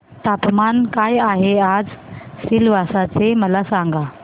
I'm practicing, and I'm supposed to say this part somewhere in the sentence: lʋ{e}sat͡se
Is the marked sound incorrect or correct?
incorrect